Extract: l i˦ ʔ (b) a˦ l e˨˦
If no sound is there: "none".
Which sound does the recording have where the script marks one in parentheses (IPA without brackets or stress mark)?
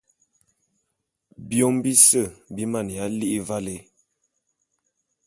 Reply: v